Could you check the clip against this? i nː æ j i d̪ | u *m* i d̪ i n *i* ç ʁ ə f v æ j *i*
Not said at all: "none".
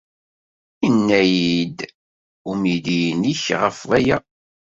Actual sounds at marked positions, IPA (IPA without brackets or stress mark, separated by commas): m, i, æ